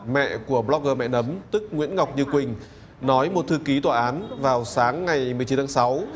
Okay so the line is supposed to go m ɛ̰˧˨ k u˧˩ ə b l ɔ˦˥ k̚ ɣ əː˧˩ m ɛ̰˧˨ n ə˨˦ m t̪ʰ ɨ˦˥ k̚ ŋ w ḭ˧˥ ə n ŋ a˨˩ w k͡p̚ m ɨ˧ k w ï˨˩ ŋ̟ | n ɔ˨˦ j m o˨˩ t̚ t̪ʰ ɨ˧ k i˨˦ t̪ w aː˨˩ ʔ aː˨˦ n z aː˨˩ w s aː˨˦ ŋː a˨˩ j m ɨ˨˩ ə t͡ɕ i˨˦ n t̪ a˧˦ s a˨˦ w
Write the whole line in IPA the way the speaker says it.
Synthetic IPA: m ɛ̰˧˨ k u˧˩ ə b l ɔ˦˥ k̚ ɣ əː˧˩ m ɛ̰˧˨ n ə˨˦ m t̪ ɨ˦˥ k̚ ŋ w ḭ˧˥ ə n ŋ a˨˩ w k͡p̚ ɲ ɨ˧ k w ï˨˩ ŋ̟ | n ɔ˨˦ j m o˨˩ t̚ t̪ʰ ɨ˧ k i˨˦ t̪ w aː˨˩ ʔ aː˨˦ n v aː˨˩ w s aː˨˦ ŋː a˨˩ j m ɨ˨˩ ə t͡ɕ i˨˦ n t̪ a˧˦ s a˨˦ w